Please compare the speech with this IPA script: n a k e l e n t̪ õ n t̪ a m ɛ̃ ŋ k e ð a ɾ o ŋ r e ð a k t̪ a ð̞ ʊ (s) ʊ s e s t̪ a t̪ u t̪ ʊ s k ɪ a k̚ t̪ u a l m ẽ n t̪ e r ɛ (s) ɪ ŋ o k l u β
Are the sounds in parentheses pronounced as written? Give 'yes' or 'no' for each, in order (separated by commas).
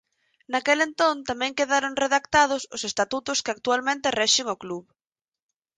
yes, no